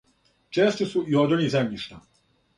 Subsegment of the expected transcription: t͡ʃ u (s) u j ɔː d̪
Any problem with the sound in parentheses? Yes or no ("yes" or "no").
no